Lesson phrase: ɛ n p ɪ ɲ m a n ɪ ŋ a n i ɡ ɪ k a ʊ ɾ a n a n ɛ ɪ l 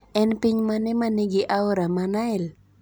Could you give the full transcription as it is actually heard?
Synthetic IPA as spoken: ɛ n p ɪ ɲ m a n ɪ m a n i ɡ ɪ ʔ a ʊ ɾ a m a n a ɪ l